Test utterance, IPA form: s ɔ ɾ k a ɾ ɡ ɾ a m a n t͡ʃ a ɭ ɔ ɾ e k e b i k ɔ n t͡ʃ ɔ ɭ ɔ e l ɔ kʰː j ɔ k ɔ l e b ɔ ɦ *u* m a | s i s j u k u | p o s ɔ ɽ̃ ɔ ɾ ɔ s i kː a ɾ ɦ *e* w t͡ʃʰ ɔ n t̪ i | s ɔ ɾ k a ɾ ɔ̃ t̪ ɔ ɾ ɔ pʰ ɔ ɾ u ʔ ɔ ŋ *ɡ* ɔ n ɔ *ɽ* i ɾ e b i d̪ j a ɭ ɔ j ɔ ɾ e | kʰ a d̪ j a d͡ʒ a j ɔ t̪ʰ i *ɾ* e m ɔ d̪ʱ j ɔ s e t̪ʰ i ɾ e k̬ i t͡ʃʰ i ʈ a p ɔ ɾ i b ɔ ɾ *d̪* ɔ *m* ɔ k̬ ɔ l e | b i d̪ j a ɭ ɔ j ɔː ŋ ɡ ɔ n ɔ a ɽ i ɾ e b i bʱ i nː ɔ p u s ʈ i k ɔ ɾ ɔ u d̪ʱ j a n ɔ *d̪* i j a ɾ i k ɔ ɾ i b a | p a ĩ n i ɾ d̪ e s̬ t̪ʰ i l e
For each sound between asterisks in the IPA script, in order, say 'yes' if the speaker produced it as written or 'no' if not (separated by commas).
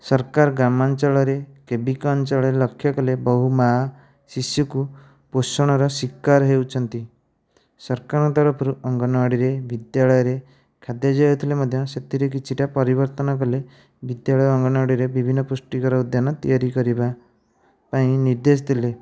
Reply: yes, yes, yes, yes, no, no, no, no